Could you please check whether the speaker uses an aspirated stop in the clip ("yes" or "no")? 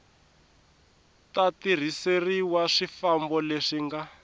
no